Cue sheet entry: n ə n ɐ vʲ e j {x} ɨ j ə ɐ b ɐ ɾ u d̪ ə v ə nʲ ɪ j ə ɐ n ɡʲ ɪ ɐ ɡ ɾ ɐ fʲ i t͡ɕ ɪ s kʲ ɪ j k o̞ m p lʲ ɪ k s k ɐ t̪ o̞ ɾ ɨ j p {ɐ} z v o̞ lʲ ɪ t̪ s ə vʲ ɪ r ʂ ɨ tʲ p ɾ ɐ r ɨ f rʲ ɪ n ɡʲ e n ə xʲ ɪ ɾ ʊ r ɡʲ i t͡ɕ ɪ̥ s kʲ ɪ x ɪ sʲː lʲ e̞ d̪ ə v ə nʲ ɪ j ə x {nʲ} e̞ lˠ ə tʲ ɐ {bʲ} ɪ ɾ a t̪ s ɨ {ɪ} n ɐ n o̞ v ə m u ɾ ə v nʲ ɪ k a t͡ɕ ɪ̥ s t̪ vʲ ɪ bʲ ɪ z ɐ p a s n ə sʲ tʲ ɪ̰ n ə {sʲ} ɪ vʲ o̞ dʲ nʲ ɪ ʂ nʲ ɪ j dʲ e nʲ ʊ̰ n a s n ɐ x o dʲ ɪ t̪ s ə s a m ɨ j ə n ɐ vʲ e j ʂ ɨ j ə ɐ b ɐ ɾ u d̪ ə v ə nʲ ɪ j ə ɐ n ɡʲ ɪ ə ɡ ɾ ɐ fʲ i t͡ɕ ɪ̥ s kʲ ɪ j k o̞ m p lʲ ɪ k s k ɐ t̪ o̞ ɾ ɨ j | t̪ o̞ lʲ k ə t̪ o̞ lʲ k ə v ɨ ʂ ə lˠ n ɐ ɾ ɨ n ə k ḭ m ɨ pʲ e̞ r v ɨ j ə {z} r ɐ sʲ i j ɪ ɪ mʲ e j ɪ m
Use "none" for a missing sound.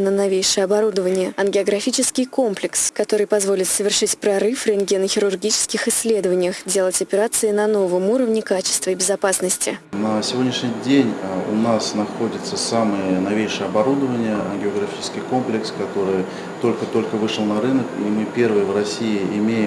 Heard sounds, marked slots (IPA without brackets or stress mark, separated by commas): ʂ, ɐ, dʲ, pʲ, ɪ, sʲ, v